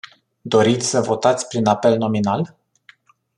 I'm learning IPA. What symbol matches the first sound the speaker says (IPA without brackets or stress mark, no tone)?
d̪